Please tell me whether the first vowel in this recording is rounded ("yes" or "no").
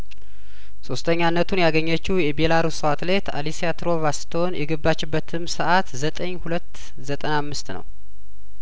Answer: yes